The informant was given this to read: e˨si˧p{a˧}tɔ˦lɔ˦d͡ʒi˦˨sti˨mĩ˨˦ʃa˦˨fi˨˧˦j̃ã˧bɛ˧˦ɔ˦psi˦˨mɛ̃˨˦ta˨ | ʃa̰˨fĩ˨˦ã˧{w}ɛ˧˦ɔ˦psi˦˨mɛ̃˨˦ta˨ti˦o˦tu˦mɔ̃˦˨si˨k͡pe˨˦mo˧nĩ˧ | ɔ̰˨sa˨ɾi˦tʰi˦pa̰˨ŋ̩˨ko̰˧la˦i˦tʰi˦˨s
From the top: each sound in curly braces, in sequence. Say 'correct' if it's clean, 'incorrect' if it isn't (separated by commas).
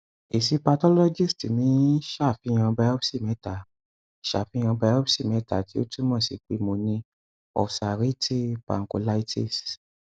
correct, incorrect